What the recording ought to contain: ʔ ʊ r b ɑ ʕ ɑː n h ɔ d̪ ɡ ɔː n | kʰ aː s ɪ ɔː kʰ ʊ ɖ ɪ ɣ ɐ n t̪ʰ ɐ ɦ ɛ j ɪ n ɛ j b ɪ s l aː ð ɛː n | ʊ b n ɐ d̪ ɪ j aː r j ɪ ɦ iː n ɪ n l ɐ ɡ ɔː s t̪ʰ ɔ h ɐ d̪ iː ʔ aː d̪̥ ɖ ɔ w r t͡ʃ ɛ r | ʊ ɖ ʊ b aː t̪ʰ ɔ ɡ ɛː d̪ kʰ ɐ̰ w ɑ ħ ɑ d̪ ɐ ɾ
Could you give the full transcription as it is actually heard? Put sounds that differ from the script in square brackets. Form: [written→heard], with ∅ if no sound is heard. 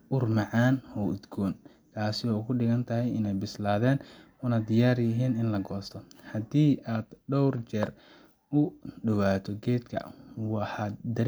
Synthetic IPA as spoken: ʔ ʊ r [b→m] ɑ ʕ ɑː n h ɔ d̪ ɡ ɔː n | kʰ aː s ɪ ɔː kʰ ʊ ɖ ɪ ɣ ɐ n t̪ʰ ɐ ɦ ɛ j ɪ n ɛ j b ɪ s l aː ð ɛː n | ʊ [b→∅] n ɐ d̪ ɪ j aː r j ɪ ɦ iː n ɪ n l ɐ ɡ ɔː s t̪ʰ ɔ h ɐ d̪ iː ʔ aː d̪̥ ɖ ɔ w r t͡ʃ ɛ r | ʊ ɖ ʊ [b→w] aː t̪ʰ ɔ ɡ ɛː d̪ kʰ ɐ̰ w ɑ ħ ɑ d̪ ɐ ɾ